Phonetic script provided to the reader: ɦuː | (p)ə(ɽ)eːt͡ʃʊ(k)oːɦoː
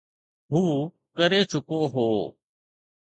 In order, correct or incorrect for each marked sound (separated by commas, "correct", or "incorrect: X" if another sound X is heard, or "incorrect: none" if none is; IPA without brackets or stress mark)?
incorrect: k, incorrect: ɾ, correct